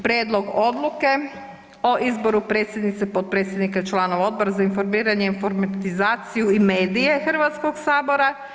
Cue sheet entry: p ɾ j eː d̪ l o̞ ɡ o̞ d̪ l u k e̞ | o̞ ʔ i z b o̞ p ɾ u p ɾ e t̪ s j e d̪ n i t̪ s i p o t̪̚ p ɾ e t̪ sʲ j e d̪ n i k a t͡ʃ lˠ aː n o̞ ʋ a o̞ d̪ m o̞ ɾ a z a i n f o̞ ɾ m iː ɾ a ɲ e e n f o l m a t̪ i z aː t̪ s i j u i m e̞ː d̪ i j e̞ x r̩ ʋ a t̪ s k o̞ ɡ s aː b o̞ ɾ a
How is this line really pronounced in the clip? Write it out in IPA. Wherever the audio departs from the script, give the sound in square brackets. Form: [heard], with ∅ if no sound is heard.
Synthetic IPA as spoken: p ɾ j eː d̪ l o̞ ɡ o̞ d̪ l u k e̞ | o̞ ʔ i z b o̞ [∅] ɾ u p ɾ e t̪ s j e d̪ n i t̪ s [e] p o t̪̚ p ɾ e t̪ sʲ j e d̪ n i k a t͡ʃ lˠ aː n o̞ ʋ a o̞ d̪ [b] o̞ ɾ a z a i n f o̞ ɾ m iː ɾ a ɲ e [i] n f o [ɾ] m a t̪ i z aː t̪ s i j u i m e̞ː d̪ i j e̞ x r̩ ʋ a t̪ s k o̞ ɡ s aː b o̞ ɾ a